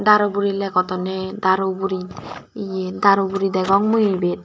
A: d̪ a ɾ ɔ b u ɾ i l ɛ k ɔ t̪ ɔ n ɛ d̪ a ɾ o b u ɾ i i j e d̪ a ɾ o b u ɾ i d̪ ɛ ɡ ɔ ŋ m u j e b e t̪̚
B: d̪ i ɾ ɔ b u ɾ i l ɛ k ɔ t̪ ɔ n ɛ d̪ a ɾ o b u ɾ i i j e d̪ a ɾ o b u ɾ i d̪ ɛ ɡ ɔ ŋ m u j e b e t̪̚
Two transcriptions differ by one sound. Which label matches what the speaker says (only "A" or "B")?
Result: A